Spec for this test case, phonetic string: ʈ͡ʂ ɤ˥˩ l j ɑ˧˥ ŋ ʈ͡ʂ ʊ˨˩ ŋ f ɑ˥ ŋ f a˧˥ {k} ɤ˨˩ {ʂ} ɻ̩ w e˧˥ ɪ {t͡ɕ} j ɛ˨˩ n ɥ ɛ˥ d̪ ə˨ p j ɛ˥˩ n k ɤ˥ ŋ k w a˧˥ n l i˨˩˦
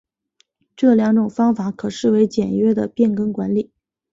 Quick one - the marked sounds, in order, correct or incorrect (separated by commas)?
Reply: incorrect, correct, correct